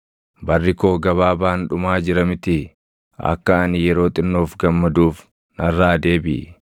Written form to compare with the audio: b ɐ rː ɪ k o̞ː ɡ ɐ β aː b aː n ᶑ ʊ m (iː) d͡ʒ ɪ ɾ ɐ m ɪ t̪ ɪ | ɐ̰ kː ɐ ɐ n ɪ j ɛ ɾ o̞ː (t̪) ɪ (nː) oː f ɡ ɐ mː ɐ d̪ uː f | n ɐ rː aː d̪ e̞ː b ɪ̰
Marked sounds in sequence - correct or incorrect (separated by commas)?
incorrect, incorrect, correct